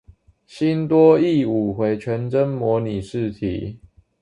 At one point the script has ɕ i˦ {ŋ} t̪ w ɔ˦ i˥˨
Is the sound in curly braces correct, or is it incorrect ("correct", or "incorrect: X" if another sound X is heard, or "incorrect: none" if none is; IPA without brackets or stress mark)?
incorrect: n